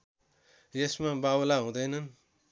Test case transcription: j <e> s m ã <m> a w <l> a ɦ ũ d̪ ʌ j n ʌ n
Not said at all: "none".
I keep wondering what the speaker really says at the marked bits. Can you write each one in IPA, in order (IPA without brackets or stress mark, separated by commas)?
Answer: e, b, l